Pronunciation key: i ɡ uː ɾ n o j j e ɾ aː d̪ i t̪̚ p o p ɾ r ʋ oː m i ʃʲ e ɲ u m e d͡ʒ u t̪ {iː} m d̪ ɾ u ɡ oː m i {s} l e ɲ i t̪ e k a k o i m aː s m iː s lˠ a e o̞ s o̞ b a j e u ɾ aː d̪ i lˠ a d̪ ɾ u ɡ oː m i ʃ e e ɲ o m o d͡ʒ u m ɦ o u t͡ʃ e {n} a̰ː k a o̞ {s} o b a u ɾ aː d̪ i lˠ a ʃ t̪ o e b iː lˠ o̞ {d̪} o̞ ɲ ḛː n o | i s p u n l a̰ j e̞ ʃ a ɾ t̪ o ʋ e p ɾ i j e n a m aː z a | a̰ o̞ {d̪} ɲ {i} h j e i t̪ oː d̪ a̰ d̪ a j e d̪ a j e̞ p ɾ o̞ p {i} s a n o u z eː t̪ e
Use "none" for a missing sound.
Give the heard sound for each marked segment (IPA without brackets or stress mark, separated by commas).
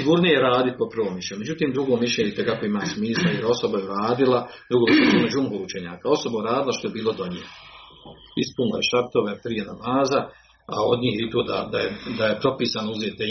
iː, ʃ, ɲ, s, d̪, d̪, iː, iː